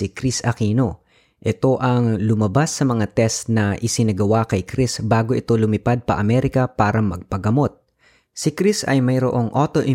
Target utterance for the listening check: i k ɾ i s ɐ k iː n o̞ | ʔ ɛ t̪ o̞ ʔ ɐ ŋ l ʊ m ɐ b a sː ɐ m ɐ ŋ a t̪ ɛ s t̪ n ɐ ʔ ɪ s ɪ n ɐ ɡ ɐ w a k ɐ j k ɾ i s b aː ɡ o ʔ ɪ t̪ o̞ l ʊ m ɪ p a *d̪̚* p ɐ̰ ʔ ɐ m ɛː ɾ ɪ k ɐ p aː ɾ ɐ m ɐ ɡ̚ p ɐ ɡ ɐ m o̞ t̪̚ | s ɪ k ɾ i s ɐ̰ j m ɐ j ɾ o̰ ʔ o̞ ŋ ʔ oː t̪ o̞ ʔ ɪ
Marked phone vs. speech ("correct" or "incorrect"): correct